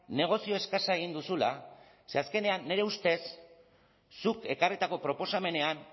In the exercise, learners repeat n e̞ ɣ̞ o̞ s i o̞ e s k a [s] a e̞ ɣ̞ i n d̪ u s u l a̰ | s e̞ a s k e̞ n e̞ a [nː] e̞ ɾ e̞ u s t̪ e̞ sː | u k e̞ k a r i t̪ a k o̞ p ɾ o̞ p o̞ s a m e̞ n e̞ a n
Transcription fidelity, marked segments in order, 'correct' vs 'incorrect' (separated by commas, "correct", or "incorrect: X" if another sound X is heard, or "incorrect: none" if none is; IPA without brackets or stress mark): correct, correct